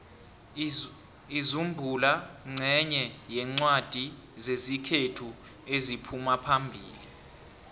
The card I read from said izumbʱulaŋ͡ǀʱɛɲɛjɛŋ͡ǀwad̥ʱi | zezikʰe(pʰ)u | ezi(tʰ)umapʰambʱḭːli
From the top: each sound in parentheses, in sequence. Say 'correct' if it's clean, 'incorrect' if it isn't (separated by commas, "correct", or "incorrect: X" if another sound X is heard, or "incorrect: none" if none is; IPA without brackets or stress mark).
incorrect: tʰ, incorrect: pʰ